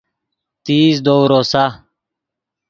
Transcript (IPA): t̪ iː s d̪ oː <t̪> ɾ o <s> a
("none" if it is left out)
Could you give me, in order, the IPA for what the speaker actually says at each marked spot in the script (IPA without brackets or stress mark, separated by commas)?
none, s